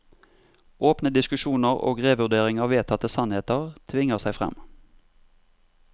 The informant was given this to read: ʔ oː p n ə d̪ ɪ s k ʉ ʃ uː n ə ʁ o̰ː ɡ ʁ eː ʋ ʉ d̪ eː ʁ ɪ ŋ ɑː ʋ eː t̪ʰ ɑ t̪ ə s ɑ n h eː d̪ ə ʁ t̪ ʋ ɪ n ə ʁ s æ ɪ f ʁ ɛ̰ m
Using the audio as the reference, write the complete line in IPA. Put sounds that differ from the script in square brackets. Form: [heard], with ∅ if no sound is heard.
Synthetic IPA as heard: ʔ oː p n ə d̪ ɪ s k ʉ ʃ uː n ə ʁ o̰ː ɡ ʁ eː ʋ ʉ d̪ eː ʁ ɪ ŋ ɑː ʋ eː t̪ʰ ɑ t̪ ə s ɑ n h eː [t̪] ə ʁ [t̪ʰ] ʋ ɪ [ŋ] ə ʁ s æ ɪ f ʁ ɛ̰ m